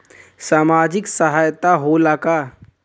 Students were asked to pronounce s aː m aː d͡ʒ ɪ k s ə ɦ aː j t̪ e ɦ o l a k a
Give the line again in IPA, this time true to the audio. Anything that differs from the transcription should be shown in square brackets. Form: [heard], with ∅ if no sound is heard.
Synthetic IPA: s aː m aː d͡ʒ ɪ k s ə ɦ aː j t̪ [a] ɦ o l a k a